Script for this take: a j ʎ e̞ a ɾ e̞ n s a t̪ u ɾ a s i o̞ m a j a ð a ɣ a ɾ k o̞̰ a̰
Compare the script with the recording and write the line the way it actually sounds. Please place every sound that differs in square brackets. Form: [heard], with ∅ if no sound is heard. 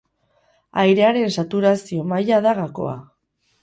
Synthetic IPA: a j [ɾ] e̞ a ɾ e̞ n s a t̪ u ɾ a s i o̞ m a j a ð a ɣ a [∅] k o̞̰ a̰